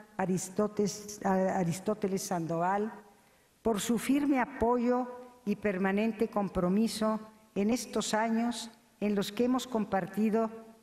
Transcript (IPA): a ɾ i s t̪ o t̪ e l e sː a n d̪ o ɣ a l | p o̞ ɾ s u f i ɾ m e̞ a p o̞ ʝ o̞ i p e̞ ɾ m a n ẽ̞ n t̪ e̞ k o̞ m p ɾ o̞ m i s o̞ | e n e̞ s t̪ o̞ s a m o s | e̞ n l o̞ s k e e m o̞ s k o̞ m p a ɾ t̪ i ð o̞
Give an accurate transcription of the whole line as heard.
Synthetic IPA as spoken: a ɾ i s t̪ o t̪ e l e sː a n d̪ o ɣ a l | p o̞ ɾ s u f i ɾ m e̞ a p o̞ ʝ o̞ i p e̞ ɾ m a n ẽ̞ n t̪ e̞ k o̞ m p ɾ o̞ m i s o̞ | e n e̞ s t̪ o̞ s a ɲ o s | e̞ n l o̞ s k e e m o̞ s k o̞ m p a ɾ t̪ i ð o̞